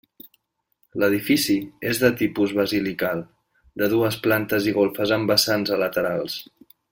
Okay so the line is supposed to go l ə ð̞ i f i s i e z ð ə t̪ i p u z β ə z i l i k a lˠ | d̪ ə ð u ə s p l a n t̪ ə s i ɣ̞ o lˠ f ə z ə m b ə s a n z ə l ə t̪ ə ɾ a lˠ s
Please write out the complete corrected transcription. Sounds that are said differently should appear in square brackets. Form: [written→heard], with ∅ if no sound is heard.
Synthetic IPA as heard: l ə ð̞ i f i s i e z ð ə t̪ i p u z β ə z i l i k a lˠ | d̪ ə ð u ə s p l a n t̪ ə [s→z] i ɣ̞ o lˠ f ə z ə m b ə s a n z ə l ə t̪ ə ɾ a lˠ s